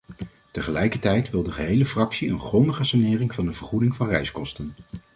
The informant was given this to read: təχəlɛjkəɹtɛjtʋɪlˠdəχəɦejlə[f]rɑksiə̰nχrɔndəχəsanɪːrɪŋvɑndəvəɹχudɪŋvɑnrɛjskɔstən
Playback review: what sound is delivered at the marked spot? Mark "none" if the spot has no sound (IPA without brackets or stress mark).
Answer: f